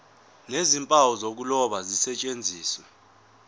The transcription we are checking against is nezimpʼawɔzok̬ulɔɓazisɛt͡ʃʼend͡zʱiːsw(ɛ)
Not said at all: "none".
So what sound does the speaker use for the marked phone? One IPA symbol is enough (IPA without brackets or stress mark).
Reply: ɛ